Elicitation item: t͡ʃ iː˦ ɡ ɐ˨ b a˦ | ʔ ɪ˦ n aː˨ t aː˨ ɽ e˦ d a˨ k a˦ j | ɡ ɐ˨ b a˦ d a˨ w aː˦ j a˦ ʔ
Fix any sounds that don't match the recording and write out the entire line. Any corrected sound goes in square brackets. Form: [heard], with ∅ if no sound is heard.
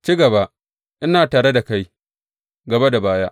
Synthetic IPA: t͡ʃ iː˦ ɡ ɐ˨ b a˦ | ʔ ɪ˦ n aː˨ t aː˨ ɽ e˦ d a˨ k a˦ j | ɡ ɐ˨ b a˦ d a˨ [b] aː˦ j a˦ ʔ